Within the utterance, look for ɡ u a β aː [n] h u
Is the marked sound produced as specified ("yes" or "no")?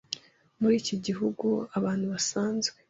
yes